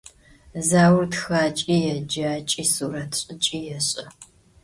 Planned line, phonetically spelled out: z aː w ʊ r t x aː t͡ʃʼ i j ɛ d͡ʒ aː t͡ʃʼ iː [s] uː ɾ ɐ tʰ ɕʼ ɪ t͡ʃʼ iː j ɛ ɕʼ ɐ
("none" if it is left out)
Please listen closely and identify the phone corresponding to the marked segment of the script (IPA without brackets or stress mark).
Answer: s